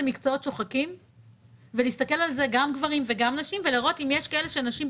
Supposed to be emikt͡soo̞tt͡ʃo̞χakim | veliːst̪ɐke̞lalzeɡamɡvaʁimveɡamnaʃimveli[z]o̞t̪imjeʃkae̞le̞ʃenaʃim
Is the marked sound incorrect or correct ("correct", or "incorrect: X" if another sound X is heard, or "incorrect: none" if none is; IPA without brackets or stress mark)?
incorrect: ʁ